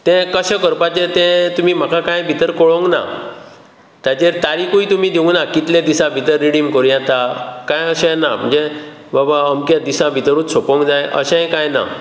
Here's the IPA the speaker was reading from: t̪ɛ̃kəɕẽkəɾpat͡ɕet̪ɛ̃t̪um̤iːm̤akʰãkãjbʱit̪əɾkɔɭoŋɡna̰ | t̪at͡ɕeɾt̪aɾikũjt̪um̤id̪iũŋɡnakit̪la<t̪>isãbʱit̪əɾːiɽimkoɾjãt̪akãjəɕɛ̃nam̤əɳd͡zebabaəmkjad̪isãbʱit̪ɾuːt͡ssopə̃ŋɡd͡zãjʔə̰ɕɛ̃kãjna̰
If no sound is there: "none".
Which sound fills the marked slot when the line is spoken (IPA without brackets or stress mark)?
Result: d̪